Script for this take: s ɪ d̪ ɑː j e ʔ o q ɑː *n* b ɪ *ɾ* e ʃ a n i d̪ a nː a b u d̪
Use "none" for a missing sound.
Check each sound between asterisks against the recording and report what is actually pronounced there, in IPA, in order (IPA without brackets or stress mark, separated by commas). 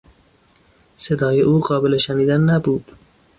none, l